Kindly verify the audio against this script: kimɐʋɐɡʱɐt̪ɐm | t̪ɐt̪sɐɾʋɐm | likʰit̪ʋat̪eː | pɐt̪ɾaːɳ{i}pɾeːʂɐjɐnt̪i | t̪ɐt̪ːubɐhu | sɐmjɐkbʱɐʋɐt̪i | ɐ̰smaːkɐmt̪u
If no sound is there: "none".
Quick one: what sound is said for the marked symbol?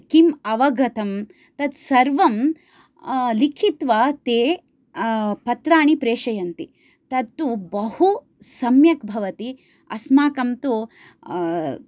i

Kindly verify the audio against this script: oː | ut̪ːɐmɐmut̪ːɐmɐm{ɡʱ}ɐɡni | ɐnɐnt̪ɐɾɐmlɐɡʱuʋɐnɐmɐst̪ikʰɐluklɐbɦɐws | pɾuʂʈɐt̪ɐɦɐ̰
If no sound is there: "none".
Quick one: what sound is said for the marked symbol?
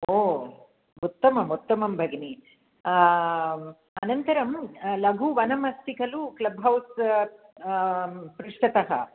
bʱ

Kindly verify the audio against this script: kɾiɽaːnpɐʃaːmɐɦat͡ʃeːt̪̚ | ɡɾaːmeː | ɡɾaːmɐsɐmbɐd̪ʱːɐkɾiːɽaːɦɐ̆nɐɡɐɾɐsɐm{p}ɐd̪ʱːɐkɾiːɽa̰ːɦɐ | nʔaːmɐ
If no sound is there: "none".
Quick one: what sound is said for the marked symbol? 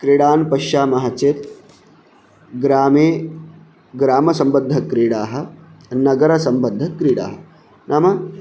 b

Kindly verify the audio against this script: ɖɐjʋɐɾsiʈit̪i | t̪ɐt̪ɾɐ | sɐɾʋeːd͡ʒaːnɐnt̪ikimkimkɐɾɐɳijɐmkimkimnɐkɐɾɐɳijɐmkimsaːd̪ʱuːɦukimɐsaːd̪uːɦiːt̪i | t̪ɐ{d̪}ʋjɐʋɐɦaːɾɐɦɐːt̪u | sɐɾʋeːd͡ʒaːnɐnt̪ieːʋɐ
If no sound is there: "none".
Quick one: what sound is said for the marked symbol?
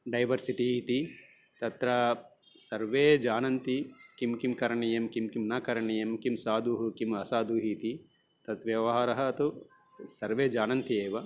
t̪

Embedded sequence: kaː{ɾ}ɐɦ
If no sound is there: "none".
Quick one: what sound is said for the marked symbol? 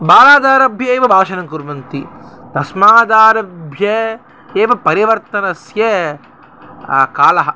l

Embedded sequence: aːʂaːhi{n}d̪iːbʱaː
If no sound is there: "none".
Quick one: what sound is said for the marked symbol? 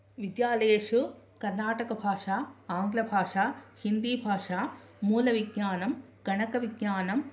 n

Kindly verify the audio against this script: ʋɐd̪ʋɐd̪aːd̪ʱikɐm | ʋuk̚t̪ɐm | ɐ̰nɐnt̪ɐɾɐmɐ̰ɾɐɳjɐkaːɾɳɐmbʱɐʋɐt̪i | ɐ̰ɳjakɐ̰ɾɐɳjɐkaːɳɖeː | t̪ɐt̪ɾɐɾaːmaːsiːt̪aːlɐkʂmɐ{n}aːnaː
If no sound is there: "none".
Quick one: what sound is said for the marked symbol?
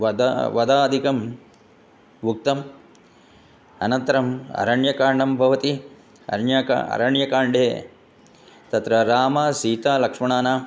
ɳ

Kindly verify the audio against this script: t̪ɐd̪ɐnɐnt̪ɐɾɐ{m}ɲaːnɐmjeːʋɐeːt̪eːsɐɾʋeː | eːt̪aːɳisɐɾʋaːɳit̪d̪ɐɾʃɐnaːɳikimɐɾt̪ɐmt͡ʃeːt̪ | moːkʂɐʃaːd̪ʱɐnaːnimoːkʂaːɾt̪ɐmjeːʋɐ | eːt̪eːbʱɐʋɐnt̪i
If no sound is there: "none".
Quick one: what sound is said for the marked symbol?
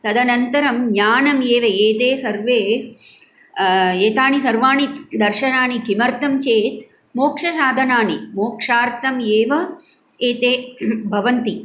m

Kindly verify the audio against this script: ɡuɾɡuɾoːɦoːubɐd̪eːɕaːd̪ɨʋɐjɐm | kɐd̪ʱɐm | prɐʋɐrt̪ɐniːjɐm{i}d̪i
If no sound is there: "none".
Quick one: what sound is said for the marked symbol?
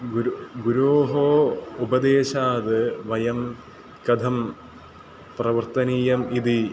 i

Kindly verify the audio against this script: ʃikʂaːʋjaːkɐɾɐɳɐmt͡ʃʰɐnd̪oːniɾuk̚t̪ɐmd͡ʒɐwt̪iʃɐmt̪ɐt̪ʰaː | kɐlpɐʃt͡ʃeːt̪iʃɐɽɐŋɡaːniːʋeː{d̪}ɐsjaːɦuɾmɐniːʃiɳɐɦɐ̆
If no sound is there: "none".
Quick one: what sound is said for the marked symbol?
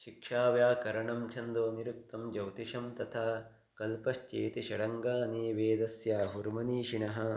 d̪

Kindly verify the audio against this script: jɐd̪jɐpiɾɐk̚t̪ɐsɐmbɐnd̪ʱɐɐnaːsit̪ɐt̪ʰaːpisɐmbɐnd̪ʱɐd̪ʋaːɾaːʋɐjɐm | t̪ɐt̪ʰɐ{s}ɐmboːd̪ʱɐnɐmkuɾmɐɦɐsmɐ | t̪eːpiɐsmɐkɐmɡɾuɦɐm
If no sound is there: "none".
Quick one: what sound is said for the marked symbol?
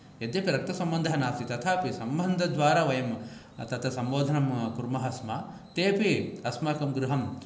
s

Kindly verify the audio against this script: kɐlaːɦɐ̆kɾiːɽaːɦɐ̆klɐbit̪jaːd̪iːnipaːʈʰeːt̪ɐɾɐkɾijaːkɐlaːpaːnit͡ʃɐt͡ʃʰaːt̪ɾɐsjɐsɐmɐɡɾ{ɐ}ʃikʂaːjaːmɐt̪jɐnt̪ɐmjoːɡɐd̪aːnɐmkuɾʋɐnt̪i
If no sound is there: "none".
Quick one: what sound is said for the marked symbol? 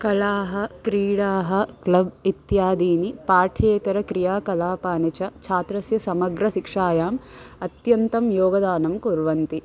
ɐ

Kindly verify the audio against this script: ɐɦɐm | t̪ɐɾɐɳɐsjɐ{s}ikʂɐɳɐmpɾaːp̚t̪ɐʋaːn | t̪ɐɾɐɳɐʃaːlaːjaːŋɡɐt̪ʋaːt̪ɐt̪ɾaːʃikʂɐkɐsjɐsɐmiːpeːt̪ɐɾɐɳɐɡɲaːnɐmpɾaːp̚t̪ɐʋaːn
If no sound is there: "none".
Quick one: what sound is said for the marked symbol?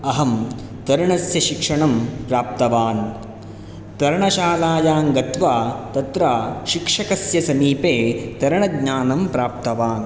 ʃ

